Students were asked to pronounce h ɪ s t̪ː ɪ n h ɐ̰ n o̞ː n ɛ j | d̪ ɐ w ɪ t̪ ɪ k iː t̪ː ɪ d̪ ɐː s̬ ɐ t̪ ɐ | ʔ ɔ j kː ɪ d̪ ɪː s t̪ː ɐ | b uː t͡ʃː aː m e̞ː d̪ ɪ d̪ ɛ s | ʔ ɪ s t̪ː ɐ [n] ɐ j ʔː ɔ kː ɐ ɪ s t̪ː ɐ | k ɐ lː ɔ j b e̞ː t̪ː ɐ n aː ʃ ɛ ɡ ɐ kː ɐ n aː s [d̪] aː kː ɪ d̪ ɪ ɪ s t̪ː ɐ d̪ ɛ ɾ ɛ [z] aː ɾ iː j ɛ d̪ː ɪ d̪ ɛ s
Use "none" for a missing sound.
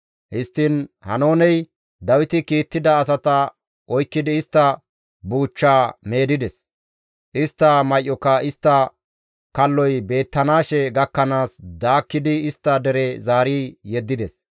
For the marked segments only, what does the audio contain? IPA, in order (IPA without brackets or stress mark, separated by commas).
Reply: m, d̪, z